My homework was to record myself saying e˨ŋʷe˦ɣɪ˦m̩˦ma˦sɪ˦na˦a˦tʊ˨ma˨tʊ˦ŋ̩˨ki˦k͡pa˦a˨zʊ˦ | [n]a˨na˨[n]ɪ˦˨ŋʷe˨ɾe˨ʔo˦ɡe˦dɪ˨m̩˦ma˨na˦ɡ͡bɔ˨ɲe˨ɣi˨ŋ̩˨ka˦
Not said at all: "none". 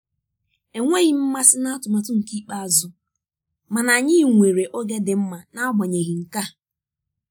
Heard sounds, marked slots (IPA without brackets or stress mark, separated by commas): m, ɲ